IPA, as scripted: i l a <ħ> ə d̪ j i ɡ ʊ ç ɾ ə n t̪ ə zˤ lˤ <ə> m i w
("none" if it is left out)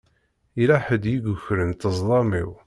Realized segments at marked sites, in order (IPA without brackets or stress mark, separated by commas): ħ, ɑ